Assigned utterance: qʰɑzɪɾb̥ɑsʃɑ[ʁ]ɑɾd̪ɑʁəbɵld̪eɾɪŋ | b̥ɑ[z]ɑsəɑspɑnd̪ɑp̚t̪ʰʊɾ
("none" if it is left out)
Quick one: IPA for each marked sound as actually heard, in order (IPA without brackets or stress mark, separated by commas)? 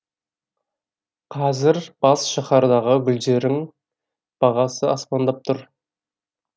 χ, ʁ